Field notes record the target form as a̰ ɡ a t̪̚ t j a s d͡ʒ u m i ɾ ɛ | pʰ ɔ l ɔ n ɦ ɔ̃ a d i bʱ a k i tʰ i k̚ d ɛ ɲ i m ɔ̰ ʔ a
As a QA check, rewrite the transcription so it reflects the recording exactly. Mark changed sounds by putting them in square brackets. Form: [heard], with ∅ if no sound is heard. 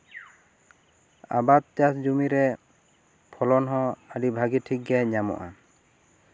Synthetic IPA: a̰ [b] a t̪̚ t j a s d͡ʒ u m i ɾ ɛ | pʰ ɔ l ɔ n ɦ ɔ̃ a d i bʱ a [ɡ] i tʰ i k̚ [ɡ] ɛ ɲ [a] m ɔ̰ ʔ a

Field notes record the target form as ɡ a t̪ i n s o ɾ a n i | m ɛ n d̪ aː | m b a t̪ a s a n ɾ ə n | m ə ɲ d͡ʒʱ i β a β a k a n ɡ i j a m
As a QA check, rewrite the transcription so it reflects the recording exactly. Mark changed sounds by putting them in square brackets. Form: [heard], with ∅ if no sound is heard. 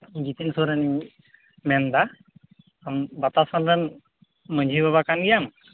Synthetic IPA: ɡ [i] t̪ i n s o ɾ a n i | m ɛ n d̪ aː | m b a t̪ a s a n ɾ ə n | m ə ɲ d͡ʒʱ i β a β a k a n ɡ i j a m

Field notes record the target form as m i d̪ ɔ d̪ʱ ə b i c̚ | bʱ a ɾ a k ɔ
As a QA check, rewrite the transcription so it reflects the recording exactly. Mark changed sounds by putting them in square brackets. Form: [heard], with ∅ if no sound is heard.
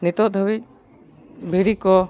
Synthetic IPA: [n] i [t̪] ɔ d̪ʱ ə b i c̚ | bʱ [i] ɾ [i] k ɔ

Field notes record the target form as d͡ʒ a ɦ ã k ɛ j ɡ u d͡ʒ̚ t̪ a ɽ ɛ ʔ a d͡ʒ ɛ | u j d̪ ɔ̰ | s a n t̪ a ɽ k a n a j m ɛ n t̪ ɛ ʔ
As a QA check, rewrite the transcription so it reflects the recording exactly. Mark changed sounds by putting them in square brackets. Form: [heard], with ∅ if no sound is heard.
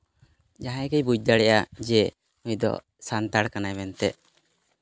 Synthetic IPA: d͡ʒ a ɦ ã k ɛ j [b] u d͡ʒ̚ [d̪] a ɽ ɛ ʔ a d͡ʒ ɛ | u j d̪ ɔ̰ | s a n t̪ a ɽ k a n a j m ɛ n t̪ ɛ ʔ

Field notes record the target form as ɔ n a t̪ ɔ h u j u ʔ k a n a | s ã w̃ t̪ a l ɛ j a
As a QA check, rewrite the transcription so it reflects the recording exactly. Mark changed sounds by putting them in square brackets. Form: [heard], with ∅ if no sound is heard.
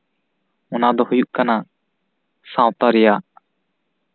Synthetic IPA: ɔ n a [d̪] ɔ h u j u ʔ k a n a | s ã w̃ t̪ a [ɾ] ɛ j a

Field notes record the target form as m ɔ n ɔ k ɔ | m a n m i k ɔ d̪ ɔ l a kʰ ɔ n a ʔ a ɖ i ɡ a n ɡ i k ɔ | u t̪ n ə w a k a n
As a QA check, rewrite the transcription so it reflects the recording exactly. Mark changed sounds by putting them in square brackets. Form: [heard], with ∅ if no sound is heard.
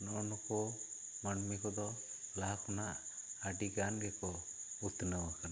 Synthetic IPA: [n] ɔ n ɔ k ɔ | m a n m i k ɔ d̪ ɔ l a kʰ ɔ n a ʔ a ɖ i ɡ a n ɡ [ɛ] k ɔ | u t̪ n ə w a k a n

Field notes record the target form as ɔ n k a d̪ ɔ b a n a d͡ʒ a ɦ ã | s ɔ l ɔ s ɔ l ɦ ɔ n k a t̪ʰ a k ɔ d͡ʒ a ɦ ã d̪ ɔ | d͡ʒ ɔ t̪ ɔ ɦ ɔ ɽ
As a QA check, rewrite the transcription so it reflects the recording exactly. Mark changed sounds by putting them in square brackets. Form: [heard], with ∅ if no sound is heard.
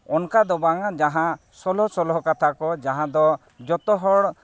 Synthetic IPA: ɔ n k a d̪ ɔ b a [ŋ] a d͡ʒ a ɦ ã | s ɔ l ɔ s ɔ l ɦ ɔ [∅] k a t̪ʰ a k ɔ d͡ʒ a ɦ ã d̪ ɔ | d͡ʒ ɔ t̪ ɔ ɦ ɔ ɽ

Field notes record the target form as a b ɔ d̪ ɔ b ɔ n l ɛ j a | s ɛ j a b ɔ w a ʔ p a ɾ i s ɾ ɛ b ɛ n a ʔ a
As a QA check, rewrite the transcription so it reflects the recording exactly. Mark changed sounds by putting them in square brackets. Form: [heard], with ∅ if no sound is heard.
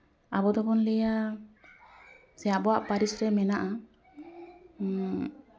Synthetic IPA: a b ɔ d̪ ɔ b ɔ n l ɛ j a | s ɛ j a b ɔ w a ʔ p a ɾ i s ɾ ɛ [m] ɛ n a ʔ a

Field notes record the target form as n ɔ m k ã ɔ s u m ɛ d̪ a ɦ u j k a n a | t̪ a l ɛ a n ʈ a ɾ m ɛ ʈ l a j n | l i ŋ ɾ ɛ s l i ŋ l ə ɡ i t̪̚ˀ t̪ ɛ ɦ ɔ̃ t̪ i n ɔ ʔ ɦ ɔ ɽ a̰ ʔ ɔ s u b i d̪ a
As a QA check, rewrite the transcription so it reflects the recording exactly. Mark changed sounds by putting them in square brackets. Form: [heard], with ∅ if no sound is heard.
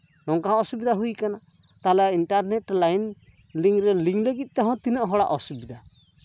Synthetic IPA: n ɔ [ŋ] k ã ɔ s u [b] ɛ d̪ a ɦ u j k a n a | t̪ a l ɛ [i] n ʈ a ɾ [n] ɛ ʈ l a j n | l i ŋ ɾ ɛ [∅] l i ŋ l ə ɡ i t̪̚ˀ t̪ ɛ ɦ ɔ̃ t̪ i n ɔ ʔ ɦ ɔ ɽ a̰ ʔ ɔ s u b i d̪ a

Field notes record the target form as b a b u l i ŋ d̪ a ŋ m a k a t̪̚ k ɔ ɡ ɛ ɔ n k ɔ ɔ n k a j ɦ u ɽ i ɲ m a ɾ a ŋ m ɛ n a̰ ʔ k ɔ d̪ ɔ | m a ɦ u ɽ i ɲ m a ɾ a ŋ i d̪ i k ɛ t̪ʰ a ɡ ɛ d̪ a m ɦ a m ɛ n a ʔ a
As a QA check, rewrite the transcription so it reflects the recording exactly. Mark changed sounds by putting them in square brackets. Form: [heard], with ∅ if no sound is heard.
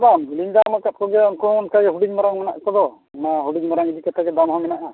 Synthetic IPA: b a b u l i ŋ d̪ a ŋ m a k a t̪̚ k ɔ ɡ ɛ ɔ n k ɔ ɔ n k a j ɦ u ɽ i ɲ m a ɾ a ŋ m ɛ n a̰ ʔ k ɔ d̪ ɔ | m a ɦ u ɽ i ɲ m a ɾ a ŋ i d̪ i k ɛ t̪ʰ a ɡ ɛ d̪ a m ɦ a m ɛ n a ʔ a

